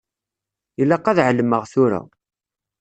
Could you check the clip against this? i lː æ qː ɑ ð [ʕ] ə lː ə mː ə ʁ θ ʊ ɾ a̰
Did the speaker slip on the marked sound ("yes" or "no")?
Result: no